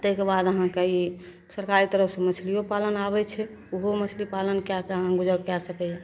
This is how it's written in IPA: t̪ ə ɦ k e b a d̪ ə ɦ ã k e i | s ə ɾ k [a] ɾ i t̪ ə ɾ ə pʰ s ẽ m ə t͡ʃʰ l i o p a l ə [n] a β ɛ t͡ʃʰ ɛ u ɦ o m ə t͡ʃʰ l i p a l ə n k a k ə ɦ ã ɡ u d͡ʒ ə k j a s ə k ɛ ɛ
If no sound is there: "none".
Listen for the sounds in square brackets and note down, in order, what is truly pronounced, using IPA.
a, n

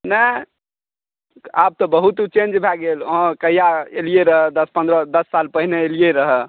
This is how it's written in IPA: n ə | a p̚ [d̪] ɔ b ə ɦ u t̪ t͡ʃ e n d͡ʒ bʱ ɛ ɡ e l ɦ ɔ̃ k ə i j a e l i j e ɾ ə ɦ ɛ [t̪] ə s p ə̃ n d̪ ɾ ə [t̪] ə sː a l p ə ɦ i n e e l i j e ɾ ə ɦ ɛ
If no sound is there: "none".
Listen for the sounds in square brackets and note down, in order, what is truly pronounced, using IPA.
t̪, d̪, d̪

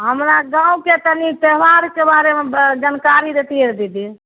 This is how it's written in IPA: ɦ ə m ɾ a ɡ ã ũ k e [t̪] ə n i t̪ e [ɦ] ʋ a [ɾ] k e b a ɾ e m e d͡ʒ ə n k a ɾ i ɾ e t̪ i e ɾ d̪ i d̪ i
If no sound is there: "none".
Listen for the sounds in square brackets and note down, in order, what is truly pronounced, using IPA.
t̪, ɦ, ɾ

